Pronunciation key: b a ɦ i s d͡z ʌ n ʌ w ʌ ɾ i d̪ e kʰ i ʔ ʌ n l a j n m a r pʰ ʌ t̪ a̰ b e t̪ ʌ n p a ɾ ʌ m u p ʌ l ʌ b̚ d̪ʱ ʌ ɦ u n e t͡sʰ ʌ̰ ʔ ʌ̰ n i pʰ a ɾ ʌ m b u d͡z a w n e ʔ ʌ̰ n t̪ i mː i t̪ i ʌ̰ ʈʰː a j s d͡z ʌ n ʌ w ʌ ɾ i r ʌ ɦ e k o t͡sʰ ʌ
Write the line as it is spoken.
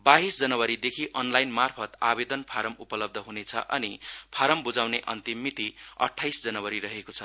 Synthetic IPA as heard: b a ɦ i s d͡z ʌ n ʌ w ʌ ɾ i d̪ e kʰ i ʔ ʌ n l a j n m a r pʰ ʌ t̪ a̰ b e d̪ ʌ n pʰ a ɾ ʌ m u p ʌ l ʌ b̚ d̪ʱ ʌ ɦ u n e t͡sʰ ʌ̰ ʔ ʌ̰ n i pʰ a ɾ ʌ m b u d͡z a w n e ʔ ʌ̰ n t̪ i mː i t̪ i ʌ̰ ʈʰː a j s d͡z ʌ n ʌ w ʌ ɾ i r ʌ ɦ e k o t͡sʰ ʌ